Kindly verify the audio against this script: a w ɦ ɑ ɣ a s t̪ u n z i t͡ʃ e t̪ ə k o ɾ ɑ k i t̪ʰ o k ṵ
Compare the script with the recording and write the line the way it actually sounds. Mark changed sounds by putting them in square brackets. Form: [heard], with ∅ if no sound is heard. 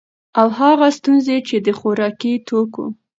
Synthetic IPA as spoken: a w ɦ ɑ ɣ a s t̪ u n z [e] t͡ʃ e [d̪] ə [x] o ɾ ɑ k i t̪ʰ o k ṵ